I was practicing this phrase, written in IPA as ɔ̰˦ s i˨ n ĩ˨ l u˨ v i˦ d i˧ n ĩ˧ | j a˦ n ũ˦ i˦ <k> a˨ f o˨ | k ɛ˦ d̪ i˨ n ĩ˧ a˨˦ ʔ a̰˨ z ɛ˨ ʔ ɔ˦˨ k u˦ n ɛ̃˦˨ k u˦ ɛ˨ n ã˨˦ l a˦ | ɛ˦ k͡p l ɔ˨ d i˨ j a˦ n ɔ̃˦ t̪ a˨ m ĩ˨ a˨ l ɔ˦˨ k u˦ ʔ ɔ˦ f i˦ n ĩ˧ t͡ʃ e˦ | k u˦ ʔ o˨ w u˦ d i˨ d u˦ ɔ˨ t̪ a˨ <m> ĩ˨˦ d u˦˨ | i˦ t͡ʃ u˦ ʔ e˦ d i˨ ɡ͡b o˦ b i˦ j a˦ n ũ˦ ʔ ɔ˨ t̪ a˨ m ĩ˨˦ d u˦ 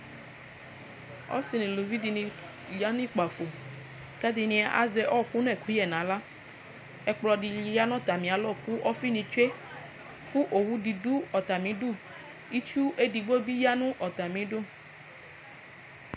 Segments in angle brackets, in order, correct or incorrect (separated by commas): incorrect, correct